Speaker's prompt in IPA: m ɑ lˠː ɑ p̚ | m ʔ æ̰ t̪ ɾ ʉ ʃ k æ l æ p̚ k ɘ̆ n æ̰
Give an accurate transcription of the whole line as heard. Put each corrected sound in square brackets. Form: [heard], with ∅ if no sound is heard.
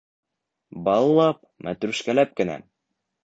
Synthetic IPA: [b] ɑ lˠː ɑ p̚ | m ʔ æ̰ t̪ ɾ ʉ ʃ k æ l æ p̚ k ɘ̆ n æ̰